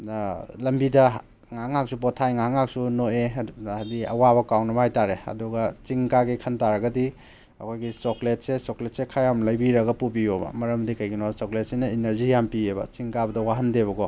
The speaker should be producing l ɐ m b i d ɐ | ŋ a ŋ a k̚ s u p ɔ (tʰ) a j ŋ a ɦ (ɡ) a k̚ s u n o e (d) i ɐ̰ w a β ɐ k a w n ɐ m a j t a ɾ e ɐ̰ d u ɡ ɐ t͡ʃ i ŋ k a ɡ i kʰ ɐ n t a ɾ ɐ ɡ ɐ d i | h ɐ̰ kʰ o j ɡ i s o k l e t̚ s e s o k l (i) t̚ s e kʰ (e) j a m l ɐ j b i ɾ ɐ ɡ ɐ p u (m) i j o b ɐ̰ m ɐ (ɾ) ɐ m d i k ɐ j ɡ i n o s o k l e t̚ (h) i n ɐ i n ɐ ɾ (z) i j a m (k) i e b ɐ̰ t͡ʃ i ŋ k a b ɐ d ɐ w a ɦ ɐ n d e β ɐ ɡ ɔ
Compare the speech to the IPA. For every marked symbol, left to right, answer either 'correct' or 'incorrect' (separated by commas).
correct, incorrect, correct, incorrect, incorrect, incorrect, correct, incorrect, correct, incorrect